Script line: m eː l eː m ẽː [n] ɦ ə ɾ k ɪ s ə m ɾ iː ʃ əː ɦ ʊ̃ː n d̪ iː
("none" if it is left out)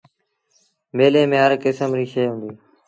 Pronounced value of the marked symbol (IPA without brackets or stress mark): none